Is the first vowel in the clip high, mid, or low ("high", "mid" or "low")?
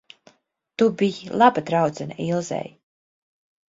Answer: high